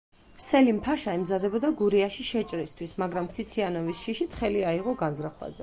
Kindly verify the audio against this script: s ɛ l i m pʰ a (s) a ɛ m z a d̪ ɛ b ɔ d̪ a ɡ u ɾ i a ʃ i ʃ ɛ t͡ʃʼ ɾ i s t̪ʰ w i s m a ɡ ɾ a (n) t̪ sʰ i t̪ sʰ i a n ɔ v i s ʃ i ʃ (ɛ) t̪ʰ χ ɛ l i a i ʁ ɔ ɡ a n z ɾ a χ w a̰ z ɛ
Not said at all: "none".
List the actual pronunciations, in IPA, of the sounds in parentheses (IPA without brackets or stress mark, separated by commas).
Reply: ʃ, m, i